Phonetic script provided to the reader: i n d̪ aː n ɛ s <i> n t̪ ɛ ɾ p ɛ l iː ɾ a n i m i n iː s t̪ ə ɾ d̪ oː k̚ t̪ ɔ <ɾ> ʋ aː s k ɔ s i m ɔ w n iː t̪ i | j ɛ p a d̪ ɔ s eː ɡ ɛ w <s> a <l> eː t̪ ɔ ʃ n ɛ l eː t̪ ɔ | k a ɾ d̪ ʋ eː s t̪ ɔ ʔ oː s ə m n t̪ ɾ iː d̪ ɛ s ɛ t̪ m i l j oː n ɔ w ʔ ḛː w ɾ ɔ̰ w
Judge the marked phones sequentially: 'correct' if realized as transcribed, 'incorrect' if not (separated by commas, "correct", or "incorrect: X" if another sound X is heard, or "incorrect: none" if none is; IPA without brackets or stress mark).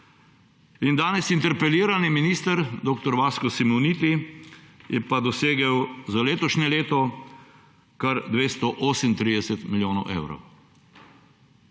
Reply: correct, correct, incorrect: z, correct